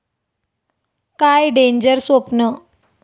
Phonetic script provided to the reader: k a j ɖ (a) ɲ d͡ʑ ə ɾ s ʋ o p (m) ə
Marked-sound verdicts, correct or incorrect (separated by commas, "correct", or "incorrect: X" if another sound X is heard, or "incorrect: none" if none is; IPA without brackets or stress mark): incorrect: e, incorrect: n